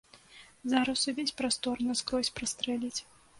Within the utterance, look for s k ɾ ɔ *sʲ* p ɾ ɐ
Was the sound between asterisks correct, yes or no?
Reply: yes